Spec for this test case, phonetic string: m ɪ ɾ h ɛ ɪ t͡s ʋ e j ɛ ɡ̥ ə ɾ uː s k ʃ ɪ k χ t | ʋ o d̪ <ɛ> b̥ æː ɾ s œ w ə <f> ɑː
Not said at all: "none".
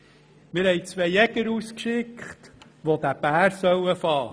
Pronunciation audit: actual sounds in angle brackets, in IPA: æ, f

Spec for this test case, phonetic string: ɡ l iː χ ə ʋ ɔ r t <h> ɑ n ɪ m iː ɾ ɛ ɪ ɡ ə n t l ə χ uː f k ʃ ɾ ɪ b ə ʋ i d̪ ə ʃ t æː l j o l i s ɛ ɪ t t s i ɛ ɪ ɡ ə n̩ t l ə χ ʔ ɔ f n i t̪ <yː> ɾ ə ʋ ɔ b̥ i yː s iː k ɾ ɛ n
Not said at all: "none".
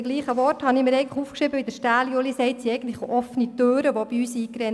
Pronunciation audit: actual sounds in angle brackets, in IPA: h, øː

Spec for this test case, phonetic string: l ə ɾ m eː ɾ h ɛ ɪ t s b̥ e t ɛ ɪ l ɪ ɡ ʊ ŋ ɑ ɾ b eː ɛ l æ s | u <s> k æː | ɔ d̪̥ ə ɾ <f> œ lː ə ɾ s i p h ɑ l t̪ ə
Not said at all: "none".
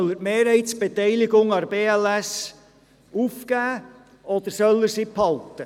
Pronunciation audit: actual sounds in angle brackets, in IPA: f, s

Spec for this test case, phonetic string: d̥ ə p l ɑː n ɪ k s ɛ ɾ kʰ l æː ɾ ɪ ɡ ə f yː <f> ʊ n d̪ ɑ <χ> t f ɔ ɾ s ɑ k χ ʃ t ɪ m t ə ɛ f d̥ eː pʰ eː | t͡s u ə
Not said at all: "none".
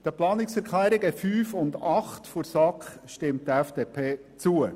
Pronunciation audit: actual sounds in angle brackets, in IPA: f, χ

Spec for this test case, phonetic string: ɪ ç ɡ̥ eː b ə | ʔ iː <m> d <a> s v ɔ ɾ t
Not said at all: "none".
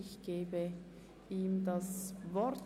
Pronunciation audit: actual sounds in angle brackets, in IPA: m, a

